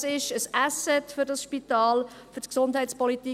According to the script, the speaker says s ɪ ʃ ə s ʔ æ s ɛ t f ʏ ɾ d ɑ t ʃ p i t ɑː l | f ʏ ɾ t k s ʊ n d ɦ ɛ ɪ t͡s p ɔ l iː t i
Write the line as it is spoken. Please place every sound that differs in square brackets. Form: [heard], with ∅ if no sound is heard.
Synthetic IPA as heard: s ɪ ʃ ə s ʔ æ s ɛ t f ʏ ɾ d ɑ [s] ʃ p i t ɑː l | f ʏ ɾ t k s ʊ n d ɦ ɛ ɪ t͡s p ɔ l [i] t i